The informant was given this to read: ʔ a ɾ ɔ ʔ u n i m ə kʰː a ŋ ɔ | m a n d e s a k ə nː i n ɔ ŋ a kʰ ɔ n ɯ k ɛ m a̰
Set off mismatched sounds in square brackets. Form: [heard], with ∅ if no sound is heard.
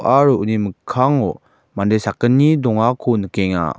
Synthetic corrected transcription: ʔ a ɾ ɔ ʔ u n i m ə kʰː a ŋ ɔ | m a n d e s a k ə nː i [d] ɔ ŋ a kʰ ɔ n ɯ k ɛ [ŋ] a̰